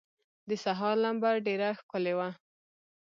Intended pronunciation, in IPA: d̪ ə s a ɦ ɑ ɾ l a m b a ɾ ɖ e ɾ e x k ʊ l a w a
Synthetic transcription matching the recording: d̪ ə s a ɦ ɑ ɾ l a m b a ɾ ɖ e ɾ a x k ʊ l e w a